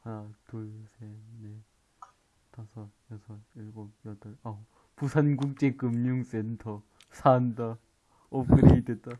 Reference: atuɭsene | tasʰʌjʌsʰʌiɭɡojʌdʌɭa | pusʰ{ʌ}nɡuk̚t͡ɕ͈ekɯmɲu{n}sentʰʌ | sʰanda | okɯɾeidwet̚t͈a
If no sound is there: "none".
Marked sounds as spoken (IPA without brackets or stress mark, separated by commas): a, ŋ